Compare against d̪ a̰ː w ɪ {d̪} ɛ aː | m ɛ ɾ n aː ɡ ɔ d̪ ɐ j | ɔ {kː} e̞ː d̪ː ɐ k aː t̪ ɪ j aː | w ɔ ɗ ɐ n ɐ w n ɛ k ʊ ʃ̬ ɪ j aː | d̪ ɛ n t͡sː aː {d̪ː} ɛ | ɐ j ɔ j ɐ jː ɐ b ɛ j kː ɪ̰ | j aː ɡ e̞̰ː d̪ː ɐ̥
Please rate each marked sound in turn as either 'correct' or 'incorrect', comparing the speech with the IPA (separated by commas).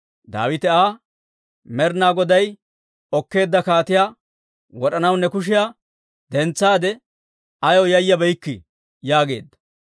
incorrect, correct, incorrect